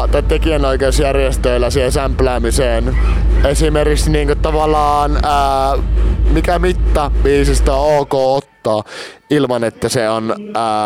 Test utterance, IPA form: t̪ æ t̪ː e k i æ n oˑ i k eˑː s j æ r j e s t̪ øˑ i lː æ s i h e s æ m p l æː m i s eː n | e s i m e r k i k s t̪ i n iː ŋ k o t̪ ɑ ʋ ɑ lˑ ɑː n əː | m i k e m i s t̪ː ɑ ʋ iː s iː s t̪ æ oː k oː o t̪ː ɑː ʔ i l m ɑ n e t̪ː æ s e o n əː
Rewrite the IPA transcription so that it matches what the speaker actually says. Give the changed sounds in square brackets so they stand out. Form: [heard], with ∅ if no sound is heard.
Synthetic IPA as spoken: t̪ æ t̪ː e k i æ n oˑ i k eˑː s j æ r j e s t̪ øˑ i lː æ s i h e s æ m p l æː m i s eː n | e s i m e r k i k s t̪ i n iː ŋ k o t̪ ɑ ʋ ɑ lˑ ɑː n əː | m i k [æ] m i [∅] t̪ː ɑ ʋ iː s [i] s t̪ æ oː k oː o t̪ː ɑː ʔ i l m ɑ n e t̪ː æ s e o n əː